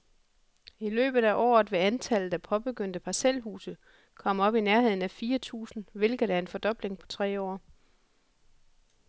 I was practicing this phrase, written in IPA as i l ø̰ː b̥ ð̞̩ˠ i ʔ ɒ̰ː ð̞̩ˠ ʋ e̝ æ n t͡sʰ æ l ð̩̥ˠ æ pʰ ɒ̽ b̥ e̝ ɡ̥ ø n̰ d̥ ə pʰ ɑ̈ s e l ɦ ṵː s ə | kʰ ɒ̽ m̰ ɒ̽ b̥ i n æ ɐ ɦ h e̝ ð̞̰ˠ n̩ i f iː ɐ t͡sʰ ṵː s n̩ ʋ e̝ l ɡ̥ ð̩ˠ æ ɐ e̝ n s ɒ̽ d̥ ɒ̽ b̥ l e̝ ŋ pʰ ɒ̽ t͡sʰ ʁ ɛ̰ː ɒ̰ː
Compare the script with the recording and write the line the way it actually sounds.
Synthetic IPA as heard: i l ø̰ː b̥ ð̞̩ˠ æ ʔ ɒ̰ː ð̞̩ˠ ʋ e̝ æ n t͡sʰ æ l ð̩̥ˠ æ pʰ ɒ̽ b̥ e̝ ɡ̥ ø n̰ d̥ ə pʰ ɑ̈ s e l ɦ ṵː s ə | kʰ ɒ̽ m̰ ɒ̽ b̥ i n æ ɐ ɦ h e̝ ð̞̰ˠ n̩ æ f iː ɐ t͡sʰ ṵː s n̩ ʋ e̝ l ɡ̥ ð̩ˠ æ ɐ e̝ n f ɒ̽ d̥ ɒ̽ b̥ l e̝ ŋ pʰ ɒ̽ t͡sʰ ʁ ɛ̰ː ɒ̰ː

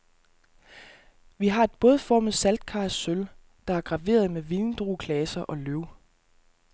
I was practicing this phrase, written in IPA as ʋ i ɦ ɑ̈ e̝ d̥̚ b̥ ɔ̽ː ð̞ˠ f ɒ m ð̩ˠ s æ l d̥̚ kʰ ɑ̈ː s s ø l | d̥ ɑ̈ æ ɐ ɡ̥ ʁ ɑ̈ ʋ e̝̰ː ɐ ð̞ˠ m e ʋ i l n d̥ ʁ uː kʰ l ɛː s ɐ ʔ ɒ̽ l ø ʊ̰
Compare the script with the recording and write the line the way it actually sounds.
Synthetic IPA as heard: ʋ i ɦ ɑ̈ e̝ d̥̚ b̥ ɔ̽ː ð̞ˠ f ɒ m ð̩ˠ s æ l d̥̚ kʰ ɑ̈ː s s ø l | d̥ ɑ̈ æ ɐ ɡ̥ ʁ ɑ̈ ʋ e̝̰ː ɐ ð̞ˠ m e ʋ i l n d̥ ʁ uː kʰ l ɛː s ɐ ʔ ɒ̽ l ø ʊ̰

